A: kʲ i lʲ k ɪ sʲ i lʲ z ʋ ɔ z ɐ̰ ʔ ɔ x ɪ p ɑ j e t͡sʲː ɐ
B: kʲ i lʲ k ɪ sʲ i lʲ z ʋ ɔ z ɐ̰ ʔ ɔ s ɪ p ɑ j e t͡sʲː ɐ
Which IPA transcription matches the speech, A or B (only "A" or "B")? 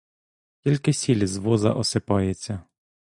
B